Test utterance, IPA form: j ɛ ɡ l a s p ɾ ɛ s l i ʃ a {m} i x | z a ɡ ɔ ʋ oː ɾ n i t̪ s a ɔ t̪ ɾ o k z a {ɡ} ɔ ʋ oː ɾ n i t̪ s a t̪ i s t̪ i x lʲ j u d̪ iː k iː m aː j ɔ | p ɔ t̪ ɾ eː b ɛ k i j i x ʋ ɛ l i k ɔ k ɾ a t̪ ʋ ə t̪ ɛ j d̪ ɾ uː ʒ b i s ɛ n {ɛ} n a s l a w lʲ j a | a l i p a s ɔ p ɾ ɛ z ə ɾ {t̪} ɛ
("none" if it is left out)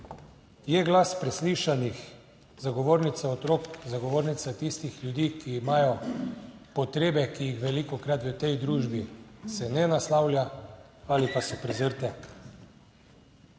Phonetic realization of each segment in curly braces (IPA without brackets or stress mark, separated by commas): n, ɡ, ɛ, t̪